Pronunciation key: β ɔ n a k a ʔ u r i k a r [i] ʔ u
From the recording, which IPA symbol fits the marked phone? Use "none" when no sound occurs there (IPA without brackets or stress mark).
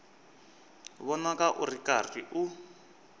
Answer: i